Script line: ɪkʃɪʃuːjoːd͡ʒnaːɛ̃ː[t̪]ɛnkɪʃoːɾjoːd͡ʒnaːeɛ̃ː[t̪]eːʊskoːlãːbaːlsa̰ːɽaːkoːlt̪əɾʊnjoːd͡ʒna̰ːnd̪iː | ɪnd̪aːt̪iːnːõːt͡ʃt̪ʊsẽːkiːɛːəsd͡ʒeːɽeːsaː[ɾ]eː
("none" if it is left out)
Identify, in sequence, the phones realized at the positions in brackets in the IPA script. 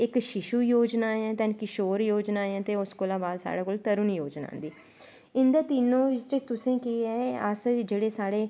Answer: t̪, t̪, ɽ

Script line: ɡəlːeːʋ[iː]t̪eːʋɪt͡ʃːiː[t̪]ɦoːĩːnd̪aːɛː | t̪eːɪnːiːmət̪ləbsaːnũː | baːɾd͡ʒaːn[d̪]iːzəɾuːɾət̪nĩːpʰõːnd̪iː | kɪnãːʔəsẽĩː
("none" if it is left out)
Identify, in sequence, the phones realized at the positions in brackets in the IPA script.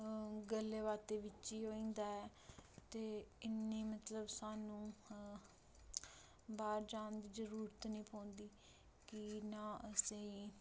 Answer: aː, none, d̪

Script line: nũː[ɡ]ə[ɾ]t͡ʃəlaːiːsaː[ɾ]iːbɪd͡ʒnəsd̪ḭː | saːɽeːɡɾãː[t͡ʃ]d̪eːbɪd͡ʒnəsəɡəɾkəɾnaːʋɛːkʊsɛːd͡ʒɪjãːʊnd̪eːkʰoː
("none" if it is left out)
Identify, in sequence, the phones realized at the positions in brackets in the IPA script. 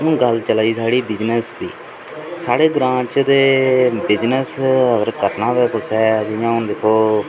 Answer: ɡ, l, ɽ, t͡ʃ

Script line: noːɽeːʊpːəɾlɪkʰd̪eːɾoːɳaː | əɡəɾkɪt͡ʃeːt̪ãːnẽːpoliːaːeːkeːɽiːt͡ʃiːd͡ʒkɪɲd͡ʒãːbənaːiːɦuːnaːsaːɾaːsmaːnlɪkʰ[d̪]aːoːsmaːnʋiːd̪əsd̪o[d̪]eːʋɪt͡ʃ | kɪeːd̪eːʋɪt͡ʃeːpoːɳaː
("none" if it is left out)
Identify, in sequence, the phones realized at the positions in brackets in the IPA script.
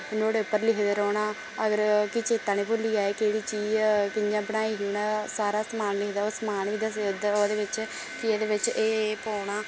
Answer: d̪, d̪

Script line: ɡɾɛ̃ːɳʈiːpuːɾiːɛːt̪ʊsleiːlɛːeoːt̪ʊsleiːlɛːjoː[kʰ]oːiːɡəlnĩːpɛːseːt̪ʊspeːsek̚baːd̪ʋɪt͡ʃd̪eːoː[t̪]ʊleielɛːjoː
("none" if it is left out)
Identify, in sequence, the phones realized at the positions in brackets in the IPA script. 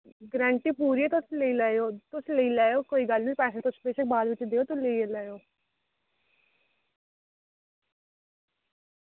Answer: k, t̪

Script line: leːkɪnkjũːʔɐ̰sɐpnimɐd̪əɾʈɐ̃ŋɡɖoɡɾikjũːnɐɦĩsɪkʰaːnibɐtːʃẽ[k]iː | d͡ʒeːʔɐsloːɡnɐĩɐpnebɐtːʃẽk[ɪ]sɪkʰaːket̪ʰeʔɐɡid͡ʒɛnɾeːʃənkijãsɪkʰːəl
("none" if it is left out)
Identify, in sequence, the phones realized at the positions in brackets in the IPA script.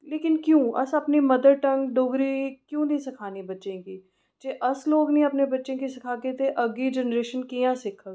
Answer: k, i

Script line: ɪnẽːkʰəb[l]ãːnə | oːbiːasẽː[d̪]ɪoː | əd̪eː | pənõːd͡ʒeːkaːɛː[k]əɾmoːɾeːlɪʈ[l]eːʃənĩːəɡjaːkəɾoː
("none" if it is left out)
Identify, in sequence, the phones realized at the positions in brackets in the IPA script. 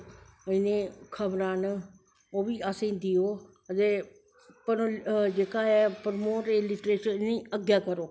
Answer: ɾ, d̪, p, ɾ

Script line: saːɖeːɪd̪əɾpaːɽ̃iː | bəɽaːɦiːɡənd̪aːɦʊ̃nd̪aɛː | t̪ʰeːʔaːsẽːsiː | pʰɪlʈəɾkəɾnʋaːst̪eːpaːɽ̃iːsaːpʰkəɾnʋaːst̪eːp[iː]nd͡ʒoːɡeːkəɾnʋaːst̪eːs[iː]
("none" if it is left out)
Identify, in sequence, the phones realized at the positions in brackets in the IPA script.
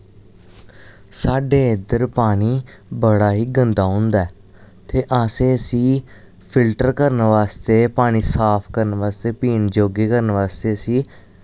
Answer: iː, iː

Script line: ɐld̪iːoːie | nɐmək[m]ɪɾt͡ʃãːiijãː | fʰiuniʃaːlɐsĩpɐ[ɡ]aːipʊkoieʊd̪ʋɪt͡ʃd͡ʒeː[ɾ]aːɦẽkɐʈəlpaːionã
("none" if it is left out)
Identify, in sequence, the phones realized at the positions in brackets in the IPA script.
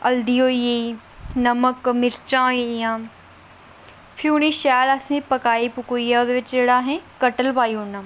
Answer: m, k, ɽ

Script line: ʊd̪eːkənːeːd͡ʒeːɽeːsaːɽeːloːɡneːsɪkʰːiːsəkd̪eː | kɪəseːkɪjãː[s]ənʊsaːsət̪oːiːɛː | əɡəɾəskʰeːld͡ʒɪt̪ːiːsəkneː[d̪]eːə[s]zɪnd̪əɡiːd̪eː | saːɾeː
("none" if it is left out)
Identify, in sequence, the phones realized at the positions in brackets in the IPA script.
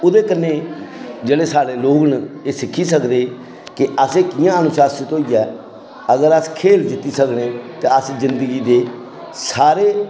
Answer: none, t̪, s

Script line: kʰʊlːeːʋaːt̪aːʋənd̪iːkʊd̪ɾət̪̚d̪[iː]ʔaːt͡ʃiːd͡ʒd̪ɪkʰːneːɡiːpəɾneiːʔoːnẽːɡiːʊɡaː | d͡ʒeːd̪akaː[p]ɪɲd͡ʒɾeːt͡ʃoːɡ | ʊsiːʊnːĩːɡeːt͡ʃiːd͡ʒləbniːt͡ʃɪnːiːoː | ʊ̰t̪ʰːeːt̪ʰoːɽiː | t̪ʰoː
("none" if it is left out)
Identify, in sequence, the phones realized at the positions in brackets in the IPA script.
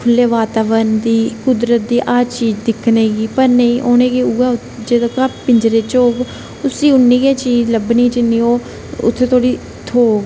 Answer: iː, p

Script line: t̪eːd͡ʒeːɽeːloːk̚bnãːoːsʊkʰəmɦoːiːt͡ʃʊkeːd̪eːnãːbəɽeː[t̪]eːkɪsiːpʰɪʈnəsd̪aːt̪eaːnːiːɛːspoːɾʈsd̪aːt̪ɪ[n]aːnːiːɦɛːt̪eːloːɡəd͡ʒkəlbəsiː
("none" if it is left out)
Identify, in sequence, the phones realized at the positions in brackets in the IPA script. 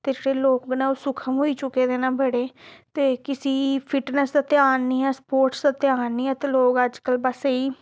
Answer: t̪, none

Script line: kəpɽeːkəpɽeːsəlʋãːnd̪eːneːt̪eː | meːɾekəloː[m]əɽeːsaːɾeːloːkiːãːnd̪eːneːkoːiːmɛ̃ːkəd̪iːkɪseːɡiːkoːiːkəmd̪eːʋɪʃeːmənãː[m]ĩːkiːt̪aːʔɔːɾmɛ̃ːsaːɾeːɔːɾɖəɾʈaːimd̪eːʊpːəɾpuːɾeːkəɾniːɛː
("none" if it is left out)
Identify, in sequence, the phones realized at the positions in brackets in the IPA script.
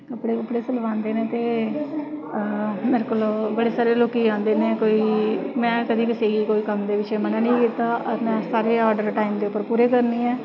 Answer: b, n

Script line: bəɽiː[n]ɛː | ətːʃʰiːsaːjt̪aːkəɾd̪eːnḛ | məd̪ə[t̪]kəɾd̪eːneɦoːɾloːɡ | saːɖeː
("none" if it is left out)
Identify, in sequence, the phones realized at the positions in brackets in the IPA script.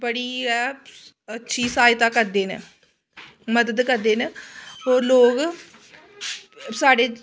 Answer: none, d̪

